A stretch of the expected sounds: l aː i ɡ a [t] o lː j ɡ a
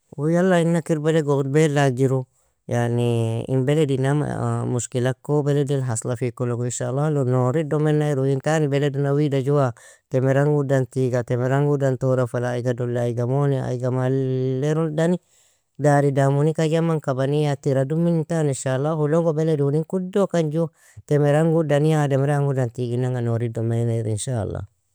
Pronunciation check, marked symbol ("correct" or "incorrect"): incorrect